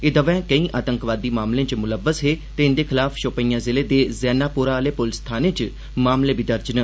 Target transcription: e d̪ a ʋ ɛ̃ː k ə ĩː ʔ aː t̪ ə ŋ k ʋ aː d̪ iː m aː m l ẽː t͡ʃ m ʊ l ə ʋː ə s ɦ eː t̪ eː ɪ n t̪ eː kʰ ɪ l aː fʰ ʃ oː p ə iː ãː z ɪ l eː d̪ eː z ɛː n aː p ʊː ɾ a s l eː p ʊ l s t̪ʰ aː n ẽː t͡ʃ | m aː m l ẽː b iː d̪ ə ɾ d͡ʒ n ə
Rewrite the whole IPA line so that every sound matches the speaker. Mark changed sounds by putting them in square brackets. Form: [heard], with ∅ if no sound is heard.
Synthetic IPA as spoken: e d̪ [ə] ʋ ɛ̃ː k ə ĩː ʔ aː t̪ ə ŋ k ʋ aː d̪ iː m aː m l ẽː t͡ʃ m ʊ l ə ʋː ə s ɦ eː t̪ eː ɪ n [d̪] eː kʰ ɪ l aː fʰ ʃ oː p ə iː ãː z ɪ l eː d̪ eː z ɛː n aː p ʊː ɾ a [∅] l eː p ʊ l s t̪ʰ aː n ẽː t͡ʃ | m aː m l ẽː b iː d̪ ə ɾ d͡ʒ n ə